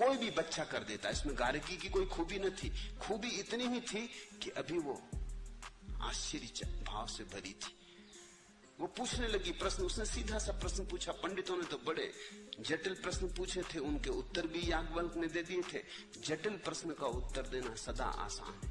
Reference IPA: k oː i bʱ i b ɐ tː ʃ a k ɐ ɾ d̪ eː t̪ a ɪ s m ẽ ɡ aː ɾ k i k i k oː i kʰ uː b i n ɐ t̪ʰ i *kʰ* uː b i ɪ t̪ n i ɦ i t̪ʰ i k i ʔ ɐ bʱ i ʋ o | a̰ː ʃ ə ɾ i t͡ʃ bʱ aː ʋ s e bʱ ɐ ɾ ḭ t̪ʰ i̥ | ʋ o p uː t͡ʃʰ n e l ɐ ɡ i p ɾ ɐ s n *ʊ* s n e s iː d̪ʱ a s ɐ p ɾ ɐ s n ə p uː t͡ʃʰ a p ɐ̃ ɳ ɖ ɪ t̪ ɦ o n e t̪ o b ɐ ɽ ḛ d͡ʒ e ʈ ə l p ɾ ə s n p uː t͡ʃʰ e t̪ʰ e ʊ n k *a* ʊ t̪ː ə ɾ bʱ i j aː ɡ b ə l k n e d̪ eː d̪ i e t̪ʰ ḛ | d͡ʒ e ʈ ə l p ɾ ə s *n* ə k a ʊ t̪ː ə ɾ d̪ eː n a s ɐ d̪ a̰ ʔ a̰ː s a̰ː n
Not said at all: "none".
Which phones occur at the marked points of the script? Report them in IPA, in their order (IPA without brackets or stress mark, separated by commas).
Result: kʰ, ʊ, e, n